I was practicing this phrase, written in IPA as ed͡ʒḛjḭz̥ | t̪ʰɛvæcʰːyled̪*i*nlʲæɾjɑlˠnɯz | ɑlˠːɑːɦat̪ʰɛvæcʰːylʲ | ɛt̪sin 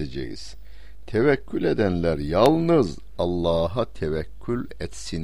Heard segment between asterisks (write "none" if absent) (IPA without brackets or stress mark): æ